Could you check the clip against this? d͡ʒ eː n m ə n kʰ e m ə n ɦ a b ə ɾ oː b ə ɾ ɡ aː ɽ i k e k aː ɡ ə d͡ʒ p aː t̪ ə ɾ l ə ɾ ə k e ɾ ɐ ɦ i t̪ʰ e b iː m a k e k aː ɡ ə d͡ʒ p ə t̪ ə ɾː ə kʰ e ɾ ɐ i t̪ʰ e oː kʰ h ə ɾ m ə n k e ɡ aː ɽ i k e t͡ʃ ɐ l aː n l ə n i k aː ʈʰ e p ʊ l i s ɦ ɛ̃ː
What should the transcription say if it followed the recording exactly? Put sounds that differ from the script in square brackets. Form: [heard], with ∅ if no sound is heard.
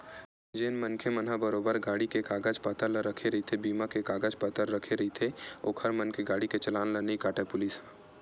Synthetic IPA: d͡ʒ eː n m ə n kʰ e m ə n ɦ a b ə ɾ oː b ə ɾ ɡ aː ɽ i k e k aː ɡ ə d͡ʒ p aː t̪ ə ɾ l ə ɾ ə [kʰ] e ɾ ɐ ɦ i t̪ʰ e b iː m a k e k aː ɡ ə d͡ʒ p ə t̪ ə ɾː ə kʰ e ɾ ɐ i t̪ʰ e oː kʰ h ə ɾ m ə n k e ɡ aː ɽ i k e t͡ʃ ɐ l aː n l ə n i k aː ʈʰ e p ʊ l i s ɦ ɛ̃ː